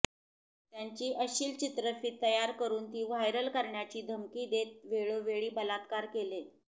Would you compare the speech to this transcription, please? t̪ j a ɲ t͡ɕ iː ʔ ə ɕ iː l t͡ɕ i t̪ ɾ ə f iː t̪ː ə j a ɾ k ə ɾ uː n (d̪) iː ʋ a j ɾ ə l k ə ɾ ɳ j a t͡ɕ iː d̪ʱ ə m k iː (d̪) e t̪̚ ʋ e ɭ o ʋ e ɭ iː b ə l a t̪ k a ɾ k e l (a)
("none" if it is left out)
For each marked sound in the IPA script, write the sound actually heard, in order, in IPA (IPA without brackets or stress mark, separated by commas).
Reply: t̪, d̪, e